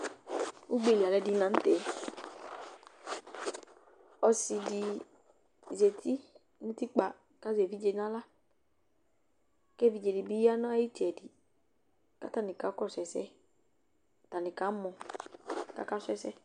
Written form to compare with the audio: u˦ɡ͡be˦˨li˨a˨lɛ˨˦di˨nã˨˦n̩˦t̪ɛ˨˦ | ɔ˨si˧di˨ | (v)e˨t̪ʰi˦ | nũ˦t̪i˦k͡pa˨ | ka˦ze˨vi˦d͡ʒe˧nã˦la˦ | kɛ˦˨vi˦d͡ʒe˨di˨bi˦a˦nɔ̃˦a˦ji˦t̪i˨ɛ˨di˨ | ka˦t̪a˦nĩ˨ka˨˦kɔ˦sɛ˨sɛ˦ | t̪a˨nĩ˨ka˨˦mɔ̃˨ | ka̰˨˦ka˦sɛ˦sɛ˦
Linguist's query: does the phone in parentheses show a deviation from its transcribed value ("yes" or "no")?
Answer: yes